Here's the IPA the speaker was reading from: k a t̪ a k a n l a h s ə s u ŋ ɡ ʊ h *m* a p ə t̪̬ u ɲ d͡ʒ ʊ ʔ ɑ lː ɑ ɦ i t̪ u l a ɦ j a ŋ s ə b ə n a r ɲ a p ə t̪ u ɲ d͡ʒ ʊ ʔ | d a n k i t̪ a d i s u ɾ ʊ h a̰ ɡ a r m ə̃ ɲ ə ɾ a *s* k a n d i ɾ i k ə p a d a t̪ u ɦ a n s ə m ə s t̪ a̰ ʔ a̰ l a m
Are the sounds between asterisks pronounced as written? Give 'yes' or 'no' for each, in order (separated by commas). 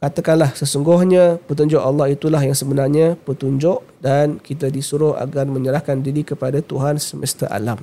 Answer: no, no